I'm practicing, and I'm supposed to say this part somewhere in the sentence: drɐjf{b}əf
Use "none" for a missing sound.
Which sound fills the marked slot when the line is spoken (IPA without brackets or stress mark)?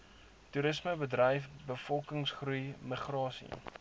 b